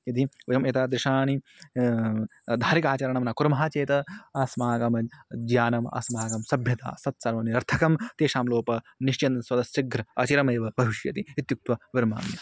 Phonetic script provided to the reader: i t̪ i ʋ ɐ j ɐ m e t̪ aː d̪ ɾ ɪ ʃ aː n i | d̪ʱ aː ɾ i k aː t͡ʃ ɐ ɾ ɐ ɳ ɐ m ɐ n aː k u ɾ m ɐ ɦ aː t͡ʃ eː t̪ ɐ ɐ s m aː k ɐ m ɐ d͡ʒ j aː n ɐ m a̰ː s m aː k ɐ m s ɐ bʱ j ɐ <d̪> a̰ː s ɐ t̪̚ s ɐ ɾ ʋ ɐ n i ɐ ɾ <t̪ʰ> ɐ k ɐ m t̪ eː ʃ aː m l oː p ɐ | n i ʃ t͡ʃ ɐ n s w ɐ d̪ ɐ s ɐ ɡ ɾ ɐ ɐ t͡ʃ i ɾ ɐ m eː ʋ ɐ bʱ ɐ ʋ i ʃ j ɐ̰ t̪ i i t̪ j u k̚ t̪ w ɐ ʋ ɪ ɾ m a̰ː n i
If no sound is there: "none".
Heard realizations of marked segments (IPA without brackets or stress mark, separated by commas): t̪, t̪ʰ